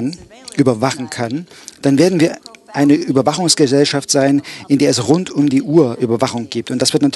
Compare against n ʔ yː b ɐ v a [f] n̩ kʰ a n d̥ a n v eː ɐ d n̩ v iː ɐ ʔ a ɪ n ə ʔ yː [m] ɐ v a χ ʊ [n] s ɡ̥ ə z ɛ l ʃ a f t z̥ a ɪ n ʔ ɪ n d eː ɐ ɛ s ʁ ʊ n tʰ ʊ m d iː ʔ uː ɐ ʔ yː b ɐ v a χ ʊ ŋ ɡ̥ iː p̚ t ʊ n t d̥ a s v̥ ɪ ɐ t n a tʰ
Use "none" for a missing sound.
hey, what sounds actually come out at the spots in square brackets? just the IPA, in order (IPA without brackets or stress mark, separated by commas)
χ, b, ŋ